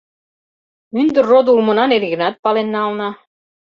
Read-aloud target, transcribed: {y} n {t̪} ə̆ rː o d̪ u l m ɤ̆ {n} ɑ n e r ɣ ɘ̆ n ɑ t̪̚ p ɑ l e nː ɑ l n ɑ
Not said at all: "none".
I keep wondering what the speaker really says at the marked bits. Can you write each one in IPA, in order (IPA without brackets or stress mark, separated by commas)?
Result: y, d̪, n